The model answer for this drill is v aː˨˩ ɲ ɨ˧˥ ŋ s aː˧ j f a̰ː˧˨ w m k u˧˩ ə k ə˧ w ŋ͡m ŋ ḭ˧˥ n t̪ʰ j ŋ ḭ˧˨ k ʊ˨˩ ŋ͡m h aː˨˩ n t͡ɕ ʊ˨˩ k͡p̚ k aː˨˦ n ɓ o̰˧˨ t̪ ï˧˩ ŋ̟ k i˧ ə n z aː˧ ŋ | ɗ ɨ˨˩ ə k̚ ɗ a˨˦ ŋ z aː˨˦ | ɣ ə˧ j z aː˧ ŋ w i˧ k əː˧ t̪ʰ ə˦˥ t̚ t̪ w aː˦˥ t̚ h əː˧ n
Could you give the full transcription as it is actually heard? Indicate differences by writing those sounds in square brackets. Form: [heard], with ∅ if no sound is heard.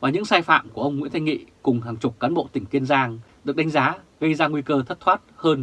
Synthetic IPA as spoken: v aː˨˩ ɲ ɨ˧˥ ŋ s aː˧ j f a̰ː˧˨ [∅] m k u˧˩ ə [ʔ] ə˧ w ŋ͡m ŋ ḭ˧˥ n t̪ʰ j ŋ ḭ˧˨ k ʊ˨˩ ŋ͡m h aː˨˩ [ŋ] t͡ɕ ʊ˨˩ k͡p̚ k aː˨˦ n ɓ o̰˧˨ t̪ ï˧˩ ŋ̟ k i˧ ə n z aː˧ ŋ | ɗ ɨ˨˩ ə k̚ ɗ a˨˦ ŋ z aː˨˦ | ɣ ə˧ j z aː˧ ŋ w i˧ k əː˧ t̪ʰ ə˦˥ t̚ [t̪ʰ] w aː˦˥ t̚ h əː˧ n

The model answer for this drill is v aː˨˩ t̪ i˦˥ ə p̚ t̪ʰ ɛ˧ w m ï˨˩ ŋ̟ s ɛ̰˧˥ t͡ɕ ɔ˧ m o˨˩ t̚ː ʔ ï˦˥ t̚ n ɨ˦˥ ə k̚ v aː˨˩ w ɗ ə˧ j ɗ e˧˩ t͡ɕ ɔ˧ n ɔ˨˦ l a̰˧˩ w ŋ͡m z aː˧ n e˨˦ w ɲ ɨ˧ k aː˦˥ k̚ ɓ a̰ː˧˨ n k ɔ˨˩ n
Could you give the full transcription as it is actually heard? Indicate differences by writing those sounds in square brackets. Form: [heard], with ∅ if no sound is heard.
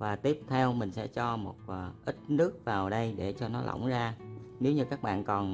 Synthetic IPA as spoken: v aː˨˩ t̪ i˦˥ ə p̚ t̪ʰ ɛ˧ w m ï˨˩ ŋ̟ s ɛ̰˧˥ t͡ɕ ɔ˧ m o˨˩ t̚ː ʔ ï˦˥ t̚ n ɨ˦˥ ə k̚ v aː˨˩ w ɗ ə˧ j ɗ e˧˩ t͡ɕ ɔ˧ n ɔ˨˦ l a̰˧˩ w ŋ͡m z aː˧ n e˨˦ w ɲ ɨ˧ k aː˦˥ k̚ ɓ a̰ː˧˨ n k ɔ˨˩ n

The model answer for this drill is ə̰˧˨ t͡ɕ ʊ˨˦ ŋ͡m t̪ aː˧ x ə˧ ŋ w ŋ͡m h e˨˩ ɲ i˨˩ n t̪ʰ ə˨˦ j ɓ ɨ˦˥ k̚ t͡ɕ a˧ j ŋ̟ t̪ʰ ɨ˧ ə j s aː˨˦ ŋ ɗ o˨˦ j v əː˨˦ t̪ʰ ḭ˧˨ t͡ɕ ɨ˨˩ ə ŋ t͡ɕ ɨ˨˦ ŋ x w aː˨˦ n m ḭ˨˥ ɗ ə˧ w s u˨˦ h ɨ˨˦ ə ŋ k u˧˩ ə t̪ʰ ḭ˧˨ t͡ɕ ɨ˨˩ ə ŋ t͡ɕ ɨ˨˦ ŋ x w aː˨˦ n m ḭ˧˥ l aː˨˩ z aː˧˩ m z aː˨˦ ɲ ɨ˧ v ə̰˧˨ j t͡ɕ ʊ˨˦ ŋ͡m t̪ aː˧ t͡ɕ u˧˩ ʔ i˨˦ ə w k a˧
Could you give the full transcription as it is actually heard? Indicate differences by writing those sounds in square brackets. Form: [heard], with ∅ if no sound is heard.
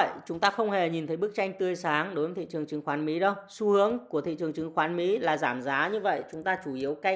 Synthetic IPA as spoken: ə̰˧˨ t͡ɕ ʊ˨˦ ŋ͡m t̪ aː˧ x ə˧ [∅] w ŋ͡m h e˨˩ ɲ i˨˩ n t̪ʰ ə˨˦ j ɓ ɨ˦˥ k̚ t͡ɕ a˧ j ŋ̟ [t̪] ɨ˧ ə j s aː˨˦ ŋ ɗ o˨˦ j v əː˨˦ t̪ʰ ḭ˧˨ t͡ɕ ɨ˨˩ ə ŋ t͡ɕ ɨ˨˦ ŋ x w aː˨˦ n m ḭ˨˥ ɗ ə˧ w s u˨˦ h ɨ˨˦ ə ŋ k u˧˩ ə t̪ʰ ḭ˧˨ t͡ɕ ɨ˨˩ ə ŋ t͡ɕ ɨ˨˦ ŋ x w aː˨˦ n m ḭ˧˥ l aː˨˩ z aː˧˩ m z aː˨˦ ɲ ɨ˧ v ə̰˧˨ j t͡ɕ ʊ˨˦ ŋ͡m t̪ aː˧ t͡ɕ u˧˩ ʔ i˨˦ ə w k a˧

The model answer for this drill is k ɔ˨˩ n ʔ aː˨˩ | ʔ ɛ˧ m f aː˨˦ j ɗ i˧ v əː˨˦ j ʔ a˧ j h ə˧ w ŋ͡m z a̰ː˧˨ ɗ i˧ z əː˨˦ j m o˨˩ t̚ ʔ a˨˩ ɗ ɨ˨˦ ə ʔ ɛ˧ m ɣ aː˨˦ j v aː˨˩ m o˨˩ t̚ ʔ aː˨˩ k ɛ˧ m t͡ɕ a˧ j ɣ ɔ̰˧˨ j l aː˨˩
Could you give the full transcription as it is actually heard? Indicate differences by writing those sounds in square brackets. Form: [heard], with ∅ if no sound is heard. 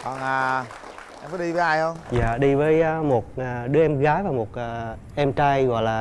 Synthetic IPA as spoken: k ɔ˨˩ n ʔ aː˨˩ | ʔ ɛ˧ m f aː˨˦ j ɗ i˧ v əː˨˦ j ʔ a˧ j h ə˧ w ŋ͡m z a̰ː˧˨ ɗ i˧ [v] əː˨˦ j m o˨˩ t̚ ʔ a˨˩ ɗ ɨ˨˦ ə ʔ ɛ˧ m ɣ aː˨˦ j v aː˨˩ m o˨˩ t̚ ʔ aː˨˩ [ʔ] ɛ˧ m t͡ɕ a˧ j ɣ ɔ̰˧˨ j l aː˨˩

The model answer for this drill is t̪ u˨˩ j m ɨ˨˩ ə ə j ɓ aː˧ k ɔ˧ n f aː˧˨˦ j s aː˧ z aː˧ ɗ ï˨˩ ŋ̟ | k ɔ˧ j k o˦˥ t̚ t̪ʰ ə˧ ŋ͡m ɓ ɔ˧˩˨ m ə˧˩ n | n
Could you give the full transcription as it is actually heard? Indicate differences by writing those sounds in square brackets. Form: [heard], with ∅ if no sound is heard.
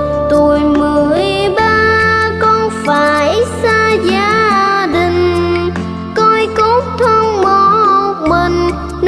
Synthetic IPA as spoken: t̪ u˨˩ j m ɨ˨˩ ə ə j ɓ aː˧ k ɔ˧ n f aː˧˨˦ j s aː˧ z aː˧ ɗ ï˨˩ ŋ̟ | k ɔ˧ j k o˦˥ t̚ t̪ʰ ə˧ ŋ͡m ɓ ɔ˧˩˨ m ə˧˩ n | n

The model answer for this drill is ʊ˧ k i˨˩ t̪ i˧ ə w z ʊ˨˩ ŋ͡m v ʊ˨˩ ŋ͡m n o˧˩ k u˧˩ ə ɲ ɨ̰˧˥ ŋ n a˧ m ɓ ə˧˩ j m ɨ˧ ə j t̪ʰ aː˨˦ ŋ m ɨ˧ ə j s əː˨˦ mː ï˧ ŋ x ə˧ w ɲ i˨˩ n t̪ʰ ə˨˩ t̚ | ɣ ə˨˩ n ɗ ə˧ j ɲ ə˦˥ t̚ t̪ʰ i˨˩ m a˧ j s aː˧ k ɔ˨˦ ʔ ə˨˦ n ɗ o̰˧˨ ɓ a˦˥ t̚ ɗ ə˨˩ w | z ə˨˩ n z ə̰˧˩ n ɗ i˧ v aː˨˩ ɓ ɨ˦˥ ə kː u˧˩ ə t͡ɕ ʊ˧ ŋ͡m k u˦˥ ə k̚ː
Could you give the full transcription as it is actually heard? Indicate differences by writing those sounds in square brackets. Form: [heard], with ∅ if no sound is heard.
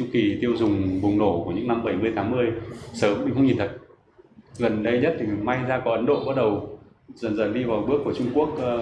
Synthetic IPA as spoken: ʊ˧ k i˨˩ t̪ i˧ ə w z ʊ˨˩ ŋ͡m v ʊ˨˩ ŋ͡m n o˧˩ k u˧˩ ə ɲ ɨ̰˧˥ ŋ n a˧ m ɓ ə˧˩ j m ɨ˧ ə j t̪ʰ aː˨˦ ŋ m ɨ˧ ə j s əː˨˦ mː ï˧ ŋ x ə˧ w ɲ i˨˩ n t̪ʰ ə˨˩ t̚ | ɣ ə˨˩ n ɗ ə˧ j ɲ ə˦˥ t̚ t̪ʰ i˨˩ m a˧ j [z] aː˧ k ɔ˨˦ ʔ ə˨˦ n ɗ o̰˧˨ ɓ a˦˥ t̚ ɗ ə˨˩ w | z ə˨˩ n z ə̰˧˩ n ɗ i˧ v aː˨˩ ɓ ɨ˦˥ ə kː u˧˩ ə t͡ɕ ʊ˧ ŋ͡m k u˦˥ ə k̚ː

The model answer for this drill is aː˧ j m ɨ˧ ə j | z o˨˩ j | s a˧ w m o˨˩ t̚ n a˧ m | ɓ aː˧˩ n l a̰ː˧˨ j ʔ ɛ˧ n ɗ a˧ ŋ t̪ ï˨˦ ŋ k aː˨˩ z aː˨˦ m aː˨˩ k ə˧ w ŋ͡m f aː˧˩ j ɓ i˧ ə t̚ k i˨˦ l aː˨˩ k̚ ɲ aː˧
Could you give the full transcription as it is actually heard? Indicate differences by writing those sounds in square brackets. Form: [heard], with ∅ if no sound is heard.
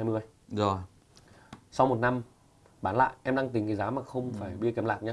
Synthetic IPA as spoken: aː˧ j m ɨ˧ ə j | z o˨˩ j | s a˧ w m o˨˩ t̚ n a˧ m | ɓ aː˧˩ n l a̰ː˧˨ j ʔ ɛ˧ [m] ɗ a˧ ŋ t̪ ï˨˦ ŋ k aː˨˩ z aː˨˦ m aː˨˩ [x] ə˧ w ŋ͡m f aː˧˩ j ɓ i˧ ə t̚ k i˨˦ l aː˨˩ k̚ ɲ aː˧

